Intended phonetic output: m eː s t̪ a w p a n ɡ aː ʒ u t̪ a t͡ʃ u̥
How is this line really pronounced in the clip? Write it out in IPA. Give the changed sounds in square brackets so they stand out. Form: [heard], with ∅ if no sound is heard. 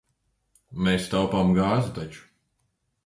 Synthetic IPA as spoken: m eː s t̪ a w p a [m] ɡ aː [z] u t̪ a t͡ʃ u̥